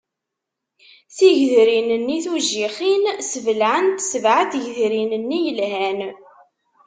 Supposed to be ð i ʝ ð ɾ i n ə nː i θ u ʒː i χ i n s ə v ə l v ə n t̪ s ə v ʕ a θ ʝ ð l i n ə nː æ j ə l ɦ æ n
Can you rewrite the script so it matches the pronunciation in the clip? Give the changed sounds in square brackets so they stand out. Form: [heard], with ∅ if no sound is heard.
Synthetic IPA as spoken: [θ] i ʝ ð ɾ i n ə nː i θ u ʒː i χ i n s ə v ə l [ʕ] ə n t̪ s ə v ʕ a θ ʝ ð [ɾ] i n ə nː [i] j ə l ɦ æ n